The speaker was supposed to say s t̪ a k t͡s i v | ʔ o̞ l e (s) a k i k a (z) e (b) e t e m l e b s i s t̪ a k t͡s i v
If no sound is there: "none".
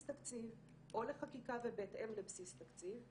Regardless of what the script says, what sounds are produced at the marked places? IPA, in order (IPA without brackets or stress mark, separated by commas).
χ, v, b